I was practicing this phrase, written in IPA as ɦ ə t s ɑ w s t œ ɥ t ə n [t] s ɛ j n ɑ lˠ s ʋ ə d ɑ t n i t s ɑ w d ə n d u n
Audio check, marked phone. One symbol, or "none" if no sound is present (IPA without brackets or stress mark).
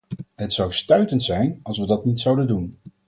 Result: t